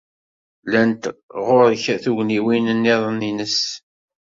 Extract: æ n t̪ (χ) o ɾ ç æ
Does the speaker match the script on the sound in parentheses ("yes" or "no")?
no